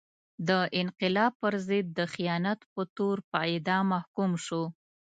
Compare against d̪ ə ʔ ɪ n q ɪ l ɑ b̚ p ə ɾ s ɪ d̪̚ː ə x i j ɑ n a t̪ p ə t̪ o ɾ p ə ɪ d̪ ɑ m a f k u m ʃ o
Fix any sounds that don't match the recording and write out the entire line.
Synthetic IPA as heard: d̪ ə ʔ ɪ n q ɪ l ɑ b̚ p ə ɾ z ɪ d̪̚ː ə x i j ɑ n a t̪ p ə t̪ o ɾ p ə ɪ d̪ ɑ m a h k u m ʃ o